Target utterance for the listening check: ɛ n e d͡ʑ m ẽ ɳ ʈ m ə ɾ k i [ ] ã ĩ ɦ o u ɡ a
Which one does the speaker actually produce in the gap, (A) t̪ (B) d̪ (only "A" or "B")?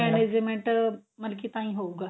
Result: A